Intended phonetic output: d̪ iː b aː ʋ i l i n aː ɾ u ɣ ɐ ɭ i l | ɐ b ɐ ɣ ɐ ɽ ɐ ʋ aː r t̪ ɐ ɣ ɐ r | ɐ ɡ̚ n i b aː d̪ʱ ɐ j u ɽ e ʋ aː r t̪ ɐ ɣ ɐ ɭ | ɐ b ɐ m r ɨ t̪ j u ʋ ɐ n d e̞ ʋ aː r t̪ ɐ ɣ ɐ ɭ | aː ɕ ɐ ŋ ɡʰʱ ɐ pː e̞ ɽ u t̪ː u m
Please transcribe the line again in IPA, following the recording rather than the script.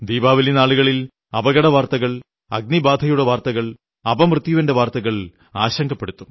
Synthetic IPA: d̪ iː b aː ʋ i l i n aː ɭ u ɣ ɐ ɭ i l | ɐ b ɐ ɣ ɐ ɽ ɐ ʋ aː r t̪ ɐ ɣ ɐ ɭ | ɐ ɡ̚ n i b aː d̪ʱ ɐ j u ɽ e ʋ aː r t̪ ɐ ɣ ɐ ɭ | ɐ b ɐ m r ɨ t̪ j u ʋ ɐ n d e̞ ʋ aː r t̪ ɐ ɣ ɐ ɭ | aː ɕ ɐ ŋ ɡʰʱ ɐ pː e̞ ɽ u t̪ː u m